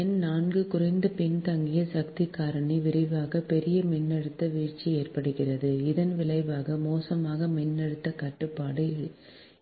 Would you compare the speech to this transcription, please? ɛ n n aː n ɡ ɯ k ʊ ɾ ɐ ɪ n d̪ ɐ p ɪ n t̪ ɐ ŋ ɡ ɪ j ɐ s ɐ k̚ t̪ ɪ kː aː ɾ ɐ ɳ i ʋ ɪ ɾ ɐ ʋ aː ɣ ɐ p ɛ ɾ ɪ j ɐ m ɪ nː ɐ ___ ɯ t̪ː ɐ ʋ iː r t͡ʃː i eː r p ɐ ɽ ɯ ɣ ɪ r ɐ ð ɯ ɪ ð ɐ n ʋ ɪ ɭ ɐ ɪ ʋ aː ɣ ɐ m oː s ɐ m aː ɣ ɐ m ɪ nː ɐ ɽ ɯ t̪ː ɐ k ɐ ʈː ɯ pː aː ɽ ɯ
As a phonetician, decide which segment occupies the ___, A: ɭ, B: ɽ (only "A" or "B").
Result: B